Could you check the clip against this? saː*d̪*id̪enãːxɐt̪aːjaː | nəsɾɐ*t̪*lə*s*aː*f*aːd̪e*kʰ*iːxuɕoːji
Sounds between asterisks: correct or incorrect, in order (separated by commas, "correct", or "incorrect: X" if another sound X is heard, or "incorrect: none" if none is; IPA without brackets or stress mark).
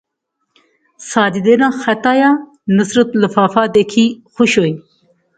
correct, correct, incorrect: f, correct, correct